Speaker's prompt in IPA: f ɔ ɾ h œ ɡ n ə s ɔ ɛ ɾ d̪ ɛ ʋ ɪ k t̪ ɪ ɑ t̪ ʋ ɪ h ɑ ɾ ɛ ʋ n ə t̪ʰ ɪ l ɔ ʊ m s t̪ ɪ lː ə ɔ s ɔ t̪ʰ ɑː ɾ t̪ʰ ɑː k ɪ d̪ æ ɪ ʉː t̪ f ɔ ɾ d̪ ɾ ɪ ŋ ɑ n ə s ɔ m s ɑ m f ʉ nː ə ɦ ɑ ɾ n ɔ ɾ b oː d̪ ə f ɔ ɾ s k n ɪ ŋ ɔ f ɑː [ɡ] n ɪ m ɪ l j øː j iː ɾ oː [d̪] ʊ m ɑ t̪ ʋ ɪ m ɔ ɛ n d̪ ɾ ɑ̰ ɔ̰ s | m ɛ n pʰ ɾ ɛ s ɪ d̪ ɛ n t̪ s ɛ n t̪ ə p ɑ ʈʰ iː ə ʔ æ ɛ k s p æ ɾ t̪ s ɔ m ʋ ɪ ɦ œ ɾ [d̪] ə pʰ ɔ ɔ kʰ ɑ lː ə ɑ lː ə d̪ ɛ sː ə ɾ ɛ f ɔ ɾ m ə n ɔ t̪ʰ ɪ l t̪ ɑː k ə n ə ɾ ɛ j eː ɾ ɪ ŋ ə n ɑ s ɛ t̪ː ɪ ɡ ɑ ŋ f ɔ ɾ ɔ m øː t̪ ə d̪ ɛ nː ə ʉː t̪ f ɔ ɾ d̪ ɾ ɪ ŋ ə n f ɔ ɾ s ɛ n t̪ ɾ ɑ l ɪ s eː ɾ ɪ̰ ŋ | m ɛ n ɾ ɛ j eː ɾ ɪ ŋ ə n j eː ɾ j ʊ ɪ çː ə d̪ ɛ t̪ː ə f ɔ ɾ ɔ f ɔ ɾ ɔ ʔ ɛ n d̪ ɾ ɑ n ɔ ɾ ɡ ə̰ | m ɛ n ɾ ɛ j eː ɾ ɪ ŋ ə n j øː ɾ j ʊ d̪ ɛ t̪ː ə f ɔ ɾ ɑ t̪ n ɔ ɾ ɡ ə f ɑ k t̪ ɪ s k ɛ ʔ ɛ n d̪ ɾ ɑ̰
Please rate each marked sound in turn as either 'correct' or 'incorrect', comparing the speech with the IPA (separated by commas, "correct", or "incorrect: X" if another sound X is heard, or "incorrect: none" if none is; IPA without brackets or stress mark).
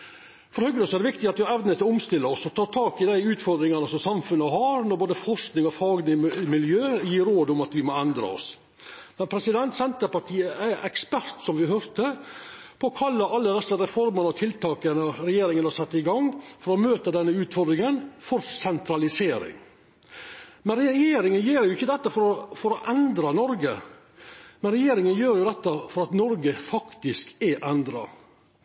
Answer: correct, correct, incorrect: t̪